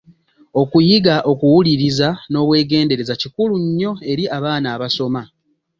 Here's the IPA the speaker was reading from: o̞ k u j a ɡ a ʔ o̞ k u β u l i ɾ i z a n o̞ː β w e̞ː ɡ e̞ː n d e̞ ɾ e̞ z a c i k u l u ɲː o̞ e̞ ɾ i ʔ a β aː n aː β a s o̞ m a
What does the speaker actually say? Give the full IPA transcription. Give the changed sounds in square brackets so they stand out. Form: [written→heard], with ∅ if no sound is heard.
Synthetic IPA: o̞ k u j [a→i] ɡ a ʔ o̞ k u [β→w] u l i ɾ i z a n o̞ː β w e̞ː ɡ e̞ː n d e̞ ɾ e̞ z a c i k u l u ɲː o̞ e̞ ɾ i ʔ a β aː n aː β a s o̞ m a